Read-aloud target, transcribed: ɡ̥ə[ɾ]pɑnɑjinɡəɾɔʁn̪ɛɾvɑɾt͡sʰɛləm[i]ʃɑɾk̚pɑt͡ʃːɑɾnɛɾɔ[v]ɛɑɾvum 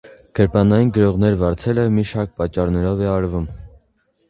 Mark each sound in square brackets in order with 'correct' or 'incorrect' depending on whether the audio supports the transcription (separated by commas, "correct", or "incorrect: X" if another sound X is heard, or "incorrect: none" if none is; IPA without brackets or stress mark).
correct, correct, correct